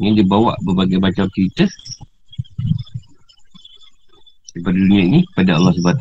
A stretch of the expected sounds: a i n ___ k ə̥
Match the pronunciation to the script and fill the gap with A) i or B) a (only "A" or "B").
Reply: A